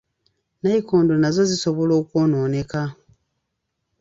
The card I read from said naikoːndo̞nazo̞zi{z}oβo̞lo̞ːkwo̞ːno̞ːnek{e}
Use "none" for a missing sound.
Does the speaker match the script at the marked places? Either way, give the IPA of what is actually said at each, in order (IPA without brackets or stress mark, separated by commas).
s, a